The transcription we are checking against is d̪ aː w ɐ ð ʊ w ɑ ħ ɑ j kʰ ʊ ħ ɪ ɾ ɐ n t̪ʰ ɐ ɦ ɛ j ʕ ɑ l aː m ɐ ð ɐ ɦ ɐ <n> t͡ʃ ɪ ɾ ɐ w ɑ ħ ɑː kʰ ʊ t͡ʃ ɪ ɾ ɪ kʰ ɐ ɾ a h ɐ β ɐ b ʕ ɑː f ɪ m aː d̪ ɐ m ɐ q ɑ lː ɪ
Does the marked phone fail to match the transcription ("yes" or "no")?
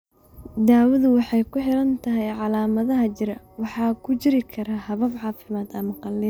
yes